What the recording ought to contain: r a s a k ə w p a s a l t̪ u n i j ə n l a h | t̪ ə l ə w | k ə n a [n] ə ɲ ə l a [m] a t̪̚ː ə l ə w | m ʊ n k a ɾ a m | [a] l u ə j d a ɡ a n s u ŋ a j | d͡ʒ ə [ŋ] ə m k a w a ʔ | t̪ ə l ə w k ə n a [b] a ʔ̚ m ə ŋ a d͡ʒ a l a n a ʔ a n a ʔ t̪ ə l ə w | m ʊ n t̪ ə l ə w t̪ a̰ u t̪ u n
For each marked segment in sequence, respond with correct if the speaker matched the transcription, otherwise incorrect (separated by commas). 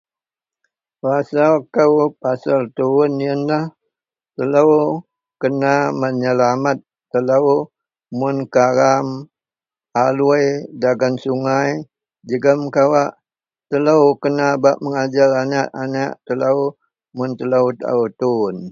incorrect, correct, correct, incorrect, correct